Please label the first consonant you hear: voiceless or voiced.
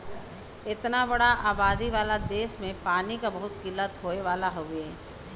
voiceless